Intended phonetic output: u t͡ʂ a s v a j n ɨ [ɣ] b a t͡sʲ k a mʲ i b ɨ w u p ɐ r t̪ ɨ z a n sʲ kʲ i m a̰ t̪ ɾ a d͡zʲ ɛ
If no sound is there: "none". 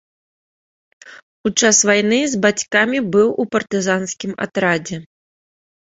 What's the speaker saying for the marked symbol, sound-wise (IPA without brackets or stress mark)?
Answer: z